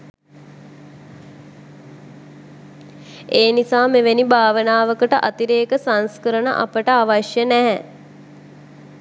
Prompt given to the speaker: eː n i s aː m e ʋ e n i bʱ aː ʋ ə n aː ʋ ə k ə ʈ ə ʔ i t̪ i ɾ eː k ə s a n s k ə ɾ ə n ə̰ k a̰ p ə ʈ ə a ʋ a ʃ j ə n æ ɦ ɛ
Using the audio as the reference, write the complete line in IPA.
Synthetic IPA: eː n i s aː m e ʋ e n i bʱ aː ʋ ə n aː ʋ ə k ə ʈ ə ʔ a t̪ i ɾ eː k ə s a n s k ə ɾ ə n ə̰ ʔ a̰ p ə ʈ ə a ʋ a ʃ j ə n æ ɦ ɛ

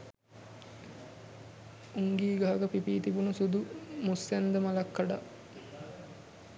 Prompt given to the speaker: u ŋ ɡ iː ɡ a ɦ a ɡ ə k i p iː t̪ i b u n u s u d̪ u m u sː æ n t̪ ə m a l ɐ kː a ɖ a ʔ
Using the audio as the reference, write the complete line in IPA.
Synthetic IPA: u ŋ ɡ iː ɡ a ɦ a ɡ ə p i p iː t̪ i b u n u s u d̪ u m u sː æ n d̪ ə m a l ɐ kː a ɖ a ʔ

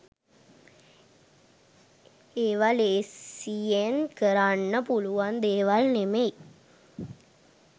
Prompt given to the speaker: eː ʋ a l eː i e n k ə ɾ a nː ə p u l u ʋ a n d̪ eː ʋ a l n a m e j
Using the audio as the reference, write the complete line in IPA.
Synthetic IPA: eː ʋ a l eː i e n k ə ɾ a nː ə p u l u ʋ a n d̪ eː ʋ a l n e m e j

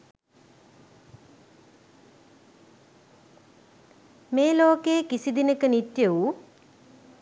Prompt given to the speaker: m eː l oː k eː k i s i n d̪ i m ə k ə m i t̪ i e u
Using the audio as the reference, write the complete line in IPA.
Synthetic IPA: m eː l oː k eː k i s i d̪ i n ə k ə n i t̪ j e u

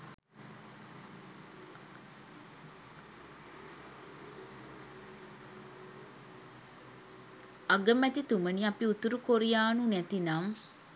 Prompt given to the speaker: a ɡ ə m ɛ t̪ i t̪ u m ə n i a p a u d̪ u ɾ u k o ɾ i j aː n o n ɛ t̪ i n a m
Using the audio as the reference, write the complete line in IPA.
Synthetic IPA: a ɡ ə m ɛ t̪ i t̪ u m ə n i a p i u t̪ u ɾ u k o ɾ i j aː n u n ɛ t̪ i n a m

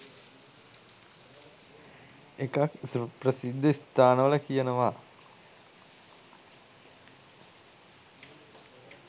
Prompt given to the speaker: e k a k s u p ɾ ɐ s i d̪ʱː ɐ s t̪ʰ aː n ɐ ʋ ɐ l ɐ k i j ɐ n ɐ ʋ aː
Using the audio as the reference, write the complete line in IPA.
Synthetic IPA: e k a k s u p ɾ ɐ s i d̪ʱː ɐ s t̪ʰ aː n ɐ ʋ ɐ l ɐ k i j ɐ n ɐ ʋ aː

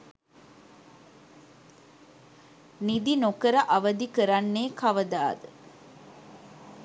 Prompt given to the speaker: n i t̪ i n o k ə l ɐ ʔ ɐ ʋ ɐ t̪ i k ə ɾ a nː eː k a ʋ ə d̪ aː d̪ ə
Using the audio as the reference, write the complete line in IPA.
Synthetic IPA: n i d̪ i n o k ə ɾ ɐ ʔ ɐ ʋ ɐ d̪ i k ə ɾ a nː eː k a ʋ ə d̪ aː d̪ ə

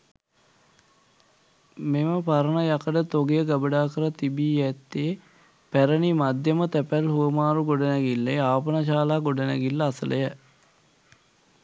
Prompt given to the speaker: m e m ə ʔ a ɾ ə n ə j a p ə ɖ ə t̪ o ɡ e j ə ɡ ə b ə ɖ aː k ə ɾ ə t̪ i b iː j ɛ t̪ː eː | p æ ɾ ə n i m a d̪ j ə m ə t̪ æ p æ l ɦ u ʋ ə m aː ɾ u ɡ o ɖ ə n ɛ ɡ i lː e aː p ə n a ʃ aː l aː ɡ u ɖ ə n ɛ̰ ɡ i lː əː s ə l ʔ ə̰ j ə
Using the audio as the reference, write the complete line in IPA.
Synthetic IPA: m e m ə p a ɾ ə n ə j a k ə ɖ ə t̪ o ɡ e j ə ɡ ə b ə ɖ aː k ə ɾ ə t̪ i b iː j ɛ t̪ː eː | p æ ɾ ə n i m a d̪ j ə m ə t̪ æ p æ l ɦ u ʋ ə m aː ɾ u ɡ o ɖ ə n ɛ ɡ i lː e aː p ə n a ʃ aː l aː ɡ o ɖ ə n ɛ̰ ɡ i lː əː s ə l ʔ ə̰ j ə

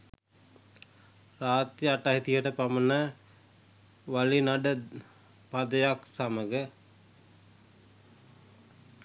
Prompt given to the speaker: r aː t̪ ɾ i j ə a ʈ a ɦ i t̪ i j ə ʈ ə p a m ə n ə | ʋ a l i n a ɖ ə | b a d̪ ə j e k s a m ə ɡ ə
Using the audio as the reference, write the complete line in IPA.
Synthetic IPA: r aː t̪ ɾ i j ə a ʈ a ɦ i t̪ i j ə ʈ ə p a m ə n ə | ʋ a l i n a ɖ ə | p a d̪ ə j a k s a m ə ɡ ə

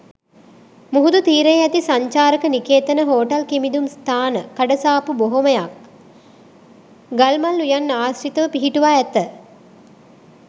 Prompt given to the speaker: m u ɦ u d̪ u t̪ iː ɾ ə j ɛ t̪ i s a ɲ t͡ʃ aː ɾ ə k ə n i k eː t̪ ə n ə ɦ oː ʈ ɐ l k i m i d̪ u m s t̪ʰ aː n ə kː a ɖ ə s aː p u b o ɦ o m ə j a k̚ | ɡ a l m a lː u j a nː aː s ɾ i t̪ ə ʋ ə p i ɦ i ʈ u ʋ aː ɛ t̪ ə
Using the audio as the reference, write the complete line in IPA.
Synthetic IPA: m u ɦ u d̪ u t̪ iː ɾ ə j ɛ t̪ i s a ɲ t͡ʃ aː ɾ ə k ə n i k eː t̪ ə n ə ɦ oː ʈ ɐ l k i m i d̪ u m s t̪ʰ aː n ə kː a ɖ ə s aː p u b o ɦ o m ə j a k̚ | ɡ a l m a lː u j a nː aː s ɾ i t̪ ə ʋ ə p i ɦ i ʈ u ʋ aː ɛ t̪ ə

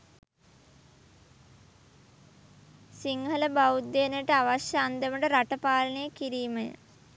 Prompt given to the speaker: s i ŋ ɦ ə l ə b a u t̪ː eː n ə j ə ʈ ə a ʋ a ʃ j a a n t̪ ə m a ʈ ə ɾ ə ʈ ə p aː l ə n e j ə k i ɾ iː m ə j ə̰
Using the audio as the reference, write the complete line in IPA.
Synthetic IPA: s i ŋ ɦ ə l ə b a u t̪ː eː n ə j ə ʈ ə a ʋ a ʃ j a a n d̪ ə m ə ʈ ə ɾ a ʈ ə p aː l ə n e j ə k i ɾ iː m ə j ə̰

